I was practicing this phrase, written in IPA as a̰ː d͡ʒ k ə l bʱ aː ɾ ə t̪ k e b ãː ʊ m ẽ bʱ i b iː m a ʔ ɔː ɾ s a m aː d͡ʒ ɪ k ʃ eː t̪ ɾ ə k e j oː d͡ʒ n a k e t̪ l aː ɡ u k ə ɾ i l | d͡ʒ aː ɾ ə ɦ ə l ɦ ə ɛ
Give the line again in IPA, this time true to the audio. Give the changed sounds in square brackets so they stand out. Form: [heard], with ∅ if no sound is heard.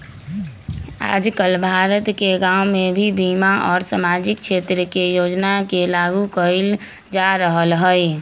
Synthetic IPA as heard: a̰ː d͡ʒ k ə l bʱ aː ɾ ə t̪ k e [ɡ] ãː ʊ m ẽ bʱ i b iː m a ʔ ɔː ɾ s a m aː d͡ʒ ɪ k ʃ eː t̪ ɾ ə k e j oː d͡ʒ n a k e [∅] l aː ɡ u k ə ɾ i l | d͡ʒ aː ɾ ə ɦ ə l ɦ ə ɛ